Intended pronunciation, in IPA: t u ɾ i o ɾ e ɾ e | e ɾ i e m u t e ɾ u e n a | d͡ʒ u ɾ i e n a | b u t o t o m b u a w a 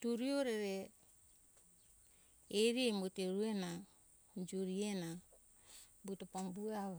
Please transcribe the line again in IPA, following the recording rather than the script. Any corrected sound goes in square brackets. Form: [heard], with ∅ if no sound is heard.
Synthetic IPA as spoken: t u ɾ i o ɾ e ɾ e | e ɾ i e m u t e ɾ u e n a | d͡ʒ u ɾ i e n a | b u t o [p] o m b u a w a